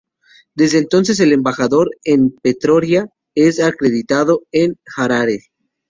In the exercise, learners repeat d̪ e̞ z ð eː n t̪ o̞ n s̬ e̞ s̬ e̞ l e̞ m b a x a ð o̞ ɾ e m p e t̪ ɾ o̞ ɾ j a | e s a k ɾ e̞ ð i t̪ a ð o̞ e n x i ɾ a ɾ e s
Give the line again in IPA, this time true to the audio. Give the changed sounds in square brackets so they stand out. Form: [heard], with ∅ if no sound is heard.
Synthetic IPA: d̪ e̞ z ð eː n t̪ o̞ n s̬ e̞ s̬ e̞ l e̞ m b a x a ð o̞ ɾ e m p e t̪ ɾ o̞ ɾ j a | e s a k ɾ e̞ ð i t̪ a ð o̞ e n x [a] ɾ a ɾ e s